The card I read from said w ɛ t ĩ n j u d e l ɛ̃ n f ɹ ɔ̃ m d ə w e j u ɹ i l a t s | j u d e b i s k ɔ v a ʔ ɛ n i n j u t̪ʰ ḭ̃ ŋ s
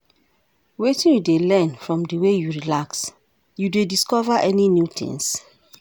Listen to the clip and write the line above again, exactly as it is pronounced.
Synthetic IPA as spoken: w e t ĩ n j u d e l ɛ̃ n f ɹ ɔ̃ m d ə w e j u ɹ i l a k s | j u d e d i s k ɔ v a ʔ ɛ n i n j u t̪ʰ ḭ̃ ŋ s